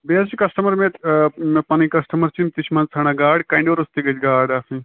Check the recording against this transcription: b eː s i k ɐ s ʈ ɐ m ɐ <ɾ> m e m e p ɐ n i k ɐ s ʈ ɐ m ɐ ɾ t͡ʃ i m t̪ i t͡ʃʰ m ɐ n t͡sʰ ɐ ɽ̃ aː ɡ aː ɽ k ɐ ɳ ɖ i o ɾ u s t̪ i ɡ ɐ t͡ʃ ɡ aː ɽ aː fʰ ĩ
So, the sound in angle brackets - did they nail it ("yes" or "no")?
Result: yes